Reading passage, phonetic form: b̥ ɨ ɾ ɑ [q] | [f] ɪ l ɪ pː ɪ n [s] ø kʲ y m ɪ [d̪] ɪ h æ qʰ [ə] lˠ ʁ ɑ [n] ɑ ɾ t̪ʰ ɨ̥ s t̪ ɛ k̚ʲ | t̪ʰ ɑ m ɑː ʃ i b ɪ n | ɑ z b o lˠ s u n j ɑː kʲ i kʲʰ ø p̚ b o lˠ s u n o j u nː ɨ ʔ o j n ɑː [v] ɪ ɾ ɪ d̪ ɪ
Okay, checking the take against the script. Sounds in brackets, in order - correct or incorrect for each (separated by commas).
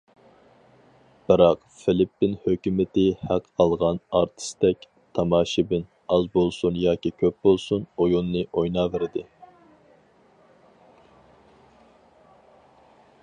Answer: correct, correct, incorrect, incorrect, incorrect, correct, correct